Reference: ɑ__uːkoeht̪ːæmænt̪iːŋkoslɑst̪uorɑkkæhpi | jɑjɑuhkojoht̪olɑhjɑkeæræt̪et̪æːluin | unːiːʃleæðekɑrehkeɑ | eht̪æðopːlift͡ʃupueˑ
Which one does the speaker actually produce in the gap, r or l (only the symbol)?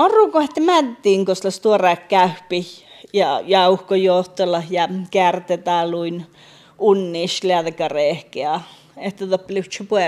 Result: r